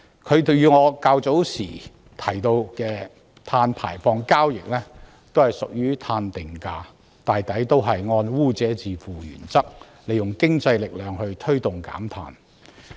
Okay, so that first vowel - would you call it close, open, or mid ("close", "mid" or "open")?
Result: mid